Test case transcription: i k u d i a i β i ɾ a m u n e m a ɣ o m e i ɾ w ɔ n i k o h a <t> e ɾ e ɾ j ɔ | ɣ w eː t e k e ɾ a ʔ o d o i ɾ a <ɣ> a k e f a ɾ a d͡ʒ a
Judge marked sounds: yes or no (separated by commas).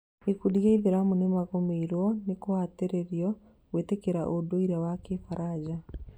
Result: yes, no